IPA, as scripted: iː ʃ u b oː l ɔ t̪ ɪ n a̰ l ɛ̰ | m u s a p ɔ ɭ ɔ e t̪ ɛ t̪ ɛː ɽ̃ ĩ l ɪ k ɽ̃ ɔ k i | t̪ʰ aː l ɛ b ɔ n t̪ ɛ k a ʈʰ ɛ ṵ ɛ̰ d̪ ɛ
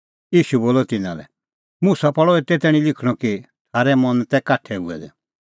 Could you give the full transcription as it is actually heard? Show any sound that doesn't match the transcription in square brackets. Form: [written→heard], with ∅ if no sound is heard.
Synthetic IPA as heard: iː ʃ u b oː l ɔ t̪ ɪ n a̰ l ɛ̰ | m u s a p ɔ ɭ ɔ e t̪ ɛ t̪ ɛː ɽ̃ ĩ l ɪ [k→kʰ] ɽ̃ ɔ k i | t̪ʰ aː [l→ɾ] ɛ [b→m] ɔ n t̪ ɛ k a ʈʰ ɛ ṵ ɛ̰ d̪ ɛ